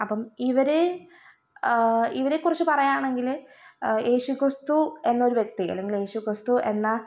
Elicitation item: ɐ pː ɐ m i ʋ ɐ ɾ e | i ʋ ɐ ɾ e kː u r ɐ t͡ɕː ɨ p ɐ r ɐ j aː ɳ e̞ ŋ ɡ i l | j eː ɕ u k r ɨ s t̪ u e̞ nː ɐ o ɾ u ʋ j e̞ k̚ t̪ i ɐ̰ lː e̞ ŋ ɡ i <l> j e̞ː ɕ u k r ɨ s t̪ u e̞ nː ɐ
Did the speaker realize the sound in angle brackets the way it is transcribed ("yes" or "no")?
yes